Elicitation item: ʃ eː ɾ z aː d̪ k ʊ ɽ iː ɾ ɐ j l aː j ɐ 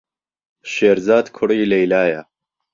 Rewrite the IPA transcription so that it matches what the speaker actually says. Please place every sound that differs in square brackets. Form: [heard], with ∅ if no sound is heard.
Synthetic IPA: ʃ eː ɾ z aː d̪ [kʰ] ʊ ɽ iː [l] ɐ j l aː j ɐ

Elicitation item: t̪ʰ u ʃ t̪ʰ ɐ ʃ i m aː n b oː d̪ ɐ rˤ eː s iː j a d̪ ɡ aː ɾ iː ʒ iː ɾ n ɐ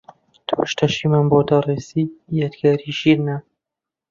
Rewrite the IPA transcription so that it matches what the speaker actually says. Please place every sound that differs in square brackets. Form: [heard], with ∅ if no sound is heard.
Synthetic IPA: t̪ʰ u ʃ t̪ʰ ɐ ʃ i m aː n b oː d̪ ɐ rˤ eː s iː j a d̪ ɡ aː ɾ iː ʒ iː ɾ n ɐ

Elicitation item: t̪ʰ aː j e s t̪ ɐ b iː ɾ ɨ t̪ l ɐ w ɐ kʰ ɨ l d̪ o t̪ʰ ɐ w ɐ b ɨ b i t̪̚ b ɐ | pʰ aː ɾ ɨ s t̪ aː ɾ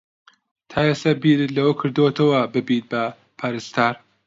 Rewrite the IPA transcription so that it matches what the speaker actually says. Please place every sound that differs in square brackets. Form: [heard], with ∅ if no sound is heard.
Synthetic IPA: t̪ʰ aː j e s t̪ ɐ b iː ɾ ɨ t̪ l ɐ w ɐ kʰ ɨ [ɾ] d̪ o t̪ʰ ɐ w ɐ b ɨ b i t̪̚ b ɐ | pʰ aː ɾ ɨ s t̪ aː ɾ

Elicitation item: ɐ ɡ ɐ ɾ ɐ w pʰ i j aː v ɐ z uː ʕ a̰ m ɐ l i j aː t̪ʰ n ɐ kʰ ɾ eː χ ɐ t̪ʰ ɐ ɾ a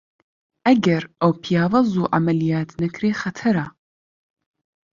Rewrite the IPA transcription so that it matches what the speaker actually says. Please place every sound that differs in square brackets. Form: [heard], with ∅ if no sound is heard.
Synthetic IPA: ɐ ɡ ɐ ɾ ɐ w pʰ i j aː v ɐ z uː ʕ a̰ m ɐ l i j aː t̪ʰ n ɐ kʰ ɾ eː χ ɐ t̪ʰ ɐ ɾ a

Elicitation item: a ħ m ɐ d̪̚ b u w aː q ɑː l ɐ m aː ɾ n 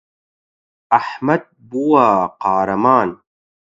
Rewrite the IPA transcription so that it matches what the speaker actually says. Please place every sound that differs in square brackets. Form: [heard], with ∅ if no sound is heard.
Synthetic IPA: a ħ m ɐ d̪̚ b u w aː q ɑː [ɾ] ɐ m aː [∅] n

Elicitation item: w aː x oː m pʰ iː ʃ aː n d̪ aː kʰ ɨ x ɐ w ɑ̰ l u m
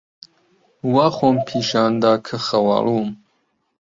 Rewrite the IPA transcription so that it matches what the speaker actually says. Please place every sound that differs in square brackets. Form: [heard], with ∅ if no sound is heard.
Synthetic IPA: w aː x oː m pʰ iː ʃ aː n d̪ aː kʰ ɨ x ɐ w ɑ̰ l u m

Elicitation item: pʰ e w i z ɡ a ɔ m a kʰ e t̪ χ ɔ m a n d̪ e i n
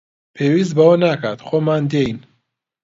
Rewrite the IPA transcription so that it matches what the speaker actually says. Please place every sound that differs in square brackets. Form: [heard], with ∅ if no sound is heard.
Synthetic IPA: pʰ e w i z [b] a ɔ [n] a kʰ [a] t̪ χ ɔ m a n d̪ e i n

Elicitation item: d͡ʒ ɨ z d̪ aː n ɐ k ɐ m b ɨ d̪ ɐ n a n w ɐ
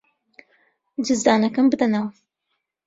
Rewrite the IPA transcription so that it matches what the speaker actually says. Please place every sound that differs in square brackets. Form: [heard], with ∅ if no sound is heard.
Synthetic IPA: d͡ʒ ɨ z d̪ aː n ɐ k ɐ m b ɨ d̪ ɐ n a [∅] w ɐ

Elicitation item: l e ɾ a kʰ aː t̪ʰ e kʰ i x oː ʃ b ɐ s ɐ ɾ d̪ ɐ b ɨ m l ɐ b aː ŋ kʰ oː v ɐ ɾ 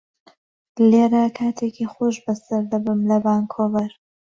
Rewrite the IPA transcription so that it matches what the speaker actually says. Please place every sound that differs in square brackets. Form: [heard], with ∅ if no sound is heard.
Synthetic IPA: l e ɾ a kʰ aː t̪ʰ e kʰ i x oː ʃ b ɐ s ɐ ɾ d̪ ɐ b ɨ m l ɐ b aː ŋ kʰ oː v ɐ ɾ

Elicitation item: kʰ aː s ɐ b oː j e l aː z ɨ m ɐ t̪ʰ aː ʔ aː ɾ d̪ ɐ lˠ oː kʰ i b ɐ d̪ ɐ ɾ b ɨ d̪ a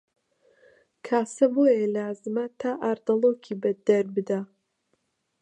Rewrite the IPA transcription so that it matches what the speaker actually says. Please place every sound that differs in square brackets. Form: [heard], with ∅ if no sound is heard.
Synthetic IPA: kʰ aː s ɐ b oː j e l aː z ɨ m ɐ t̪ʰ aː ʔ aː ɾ d̪ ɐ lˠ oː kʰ i b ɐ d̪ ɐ ɾ b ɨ d̪ a

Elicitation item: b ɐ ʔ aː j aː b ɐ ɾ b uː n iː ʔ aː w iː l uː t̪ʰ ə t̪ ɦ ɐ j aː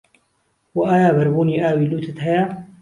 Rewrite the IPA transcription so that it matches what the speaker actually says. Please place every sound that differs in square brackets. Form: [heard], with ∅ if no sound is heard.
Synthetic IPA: [w] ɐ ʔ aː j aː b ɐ ɾ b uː n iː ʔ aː w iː l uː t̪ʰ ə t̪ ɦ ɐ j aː

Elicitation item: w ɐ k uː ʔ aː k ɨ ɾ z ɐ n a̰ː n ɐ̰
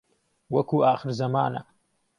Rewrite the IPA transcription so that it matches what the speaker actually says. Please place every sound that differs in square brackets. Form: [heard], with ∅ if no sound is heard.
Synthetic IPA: w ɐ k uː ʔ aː [x] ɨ ɾ z ɐ [m] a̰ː n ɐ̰

